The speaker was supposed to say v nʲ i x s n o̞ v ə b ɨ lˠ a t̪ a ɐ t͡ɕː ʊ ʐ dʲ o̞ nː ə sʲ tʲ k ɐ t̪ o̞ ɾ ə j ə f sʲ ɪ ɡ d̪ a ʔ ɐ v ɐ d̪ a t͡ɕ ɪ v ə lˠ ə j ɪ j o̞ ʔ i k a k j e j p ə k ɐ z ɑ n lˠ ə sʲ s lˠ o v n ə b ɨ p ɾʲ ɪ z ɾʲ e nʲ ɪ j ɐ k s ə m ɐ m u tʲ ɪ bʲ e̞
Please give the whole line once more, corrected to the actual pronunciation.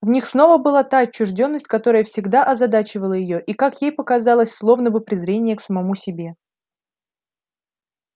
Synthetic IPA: v nʲ i x s n o̞ v ə b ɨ lˠ a t̪ a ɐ t͡ɕː ʊ ʐ dʲ o̞ nː ə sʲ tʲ k ɐ t̪ o̞ ɾ ə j ə f sʲ ɪ ɡ d̪ a ʔ ɐ z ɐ d̪ a t͡ɕ ɪ v ə lˠ ə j ɪ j o̞ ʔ i k a k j e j p ə k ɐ z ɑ lˠ ə sʲ s lˠ o v n ə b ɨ p ɾʲ ɪ z ɾʲ e nʲ ɪ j ə k s ə m ɐ m u sʲ ɪ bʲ e̞